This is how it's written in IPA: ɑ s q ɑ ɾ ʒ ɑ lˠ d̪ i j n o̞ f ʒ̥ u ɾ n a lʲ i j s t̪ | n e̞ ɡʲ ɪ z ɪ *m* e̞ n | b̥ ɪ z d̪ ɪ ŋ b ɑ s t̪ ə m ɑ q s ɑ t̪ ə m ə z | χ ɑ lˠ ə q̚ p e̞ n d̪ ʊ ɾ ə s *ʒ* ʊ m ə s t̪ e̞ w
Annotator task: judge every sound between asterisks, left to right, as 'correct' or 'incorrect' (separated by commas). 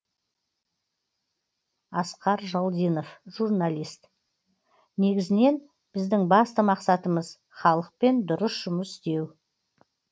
incorrect, correct